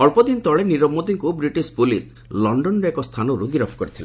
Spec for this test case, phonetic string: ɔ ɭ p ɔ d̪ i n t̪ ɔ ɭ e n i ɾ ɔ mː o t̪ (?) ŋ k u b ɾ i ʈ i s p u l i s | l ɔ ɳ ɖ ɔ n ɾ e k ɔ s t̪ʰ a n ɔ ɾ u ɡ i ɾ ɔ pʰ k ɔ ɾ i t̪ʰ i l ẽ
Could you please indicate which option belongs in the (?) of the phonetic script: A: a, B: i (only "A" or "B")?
B